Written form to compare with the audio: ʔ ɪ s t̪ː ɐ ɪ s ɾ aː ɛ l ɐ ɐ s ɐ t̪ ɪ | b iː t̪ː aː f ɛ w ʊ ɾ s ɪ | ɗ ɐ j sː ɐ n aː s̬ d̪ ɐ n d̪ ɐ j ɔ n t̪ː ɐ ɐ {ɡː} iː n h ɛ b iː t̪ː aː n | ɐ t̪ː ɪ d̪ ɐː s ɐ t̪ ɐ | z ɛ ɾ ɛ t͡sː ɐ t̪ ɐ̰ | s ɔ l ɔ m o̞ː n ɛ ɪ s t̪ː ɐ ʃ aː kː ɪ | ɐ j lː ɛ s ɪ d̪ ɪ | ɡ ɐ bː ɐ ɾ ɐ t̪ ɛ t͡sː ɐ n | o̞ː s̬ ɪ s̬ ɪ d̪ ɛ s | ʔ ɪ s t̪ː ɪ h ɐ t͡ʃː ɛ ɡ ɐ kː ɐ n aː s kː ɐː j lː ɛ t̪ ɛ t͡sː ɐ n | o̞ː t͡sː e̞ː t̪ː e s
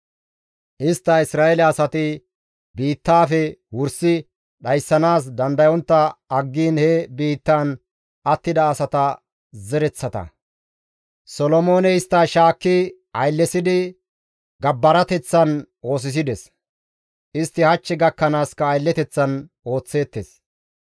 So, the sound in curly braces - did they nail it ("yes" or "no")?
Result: yes